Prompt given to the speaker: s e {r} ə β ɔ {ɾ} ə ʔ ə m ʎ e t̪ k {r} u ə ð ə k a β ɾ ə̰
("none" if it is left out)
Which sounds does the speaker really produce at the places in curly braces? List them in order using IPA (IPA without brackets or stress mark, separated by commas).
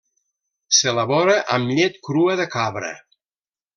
l, ɾ, ɾ